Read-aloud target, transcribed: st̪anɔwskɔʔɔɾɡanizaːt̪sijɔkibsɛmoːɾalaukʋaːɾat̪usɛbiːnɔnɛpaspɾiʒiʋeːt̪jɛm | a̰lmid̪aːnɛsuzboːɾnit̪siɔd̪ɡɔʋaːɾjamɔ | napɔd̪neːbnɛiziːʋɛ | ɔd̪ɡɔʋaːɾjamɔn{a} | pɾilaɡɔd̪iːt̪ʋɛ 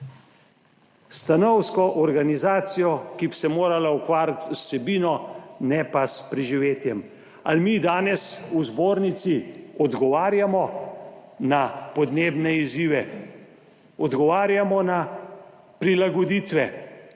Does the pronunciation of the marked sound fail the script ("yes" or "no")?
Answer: no